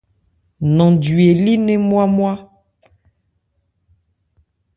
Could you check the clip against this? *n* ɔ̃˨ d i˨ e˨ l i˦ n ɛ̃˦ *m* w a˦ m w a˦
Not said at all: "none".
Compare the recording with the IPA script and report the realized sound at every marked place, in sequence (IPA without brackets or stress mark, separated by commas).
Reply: n, m